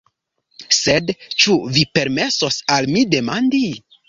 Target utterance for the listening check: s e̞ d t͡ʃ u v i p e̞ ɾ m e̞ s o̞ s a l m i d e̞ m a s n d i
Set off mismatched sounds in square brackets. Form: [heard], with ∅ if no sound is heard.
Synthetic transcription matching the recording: s e̞ d t͡ʃ u v i p e̞ ɾ m e̞ s o̞ s a l m i d e̞ m a [∅] n d i